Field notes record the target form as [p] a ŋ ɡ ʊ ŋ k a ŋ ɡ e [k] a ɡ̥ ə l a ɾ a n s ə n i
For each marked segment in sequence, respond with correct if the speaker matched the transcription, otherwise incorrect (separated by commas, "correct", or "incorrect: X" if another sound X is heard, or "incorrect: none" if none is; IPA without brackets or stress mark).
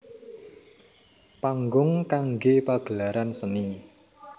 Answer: correct, incorrect: p